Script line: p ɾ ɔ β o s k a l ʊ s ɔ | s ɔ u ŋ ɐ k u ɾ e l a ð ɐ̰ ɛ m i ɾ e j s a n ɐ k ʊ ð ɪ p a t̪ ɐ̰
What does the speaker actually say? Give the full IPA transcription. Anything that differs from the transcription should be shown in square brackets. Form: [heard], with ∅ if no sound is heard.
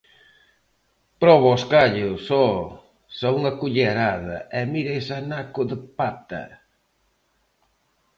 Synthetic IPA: p ɾ ɔ β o s k a [ʎ] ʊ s ɔ | s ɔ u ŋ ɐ k u [ʎ] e [ɾ] a ð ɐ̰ ɛ m i ɾ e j s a n [a] k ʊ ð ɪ p a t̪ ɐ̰